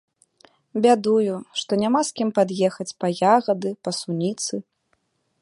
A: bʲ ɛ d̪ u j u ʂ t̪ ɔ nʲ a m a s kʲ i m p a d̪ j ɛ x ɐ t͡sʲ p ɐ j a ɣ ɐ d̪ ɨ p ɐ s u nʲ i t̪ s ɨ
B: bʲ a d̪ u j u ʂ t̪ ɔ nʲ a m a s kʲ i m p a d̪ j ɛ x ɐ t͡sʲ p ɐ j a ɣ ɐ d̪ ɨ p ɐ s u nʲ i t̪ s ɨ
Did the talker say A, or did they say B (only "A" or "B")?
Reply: B